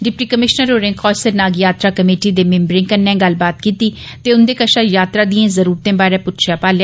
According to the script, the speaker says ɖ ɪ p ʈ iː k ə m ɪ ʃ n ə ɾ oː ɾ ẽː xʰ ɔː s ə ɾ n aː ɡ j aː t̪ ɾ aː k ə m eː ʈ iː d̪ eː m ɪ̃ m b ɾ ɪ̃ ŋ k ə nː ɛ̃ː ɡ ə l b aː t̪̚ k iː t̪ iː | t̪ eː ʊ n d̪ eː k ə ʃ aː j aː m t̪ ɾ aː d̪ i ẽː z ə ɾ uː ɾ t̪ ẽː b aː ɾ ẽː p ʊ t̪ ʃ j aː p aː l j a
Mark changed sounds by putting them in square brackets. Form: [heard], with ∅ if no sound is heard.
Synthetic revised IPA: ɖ ɪ p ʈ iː k ə m ɪ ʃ n ə ɾ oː ɾ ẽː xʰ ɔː s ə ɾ n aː ɡ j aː t̪ ɾ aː k ə m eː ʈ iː d̪ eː m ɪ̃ m b ɾ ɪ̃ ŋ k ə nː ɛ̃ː ɡ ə l b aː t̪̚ k iː t̪ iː | t̪ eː ʊ n d̪ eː k ə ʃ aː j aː [∅] t̪ ɾ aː d̪ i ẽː z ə ɾ uː ɾ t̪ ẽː b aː ɾ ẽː p ʊ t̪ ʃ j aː p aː l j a